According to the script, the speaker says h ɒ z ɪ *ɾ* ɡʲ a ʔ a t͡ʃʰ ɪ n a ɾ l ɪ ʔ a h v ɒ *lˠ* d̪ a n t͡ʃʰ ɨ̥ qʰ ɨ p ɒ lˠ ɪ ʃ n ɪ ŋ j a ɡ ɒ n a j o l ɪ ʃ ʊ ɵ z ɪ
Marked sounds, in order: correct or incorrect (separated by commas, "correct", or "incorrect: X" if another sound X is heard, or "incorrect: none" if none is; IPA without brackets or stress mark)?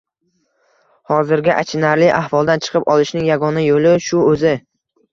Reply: correct, correct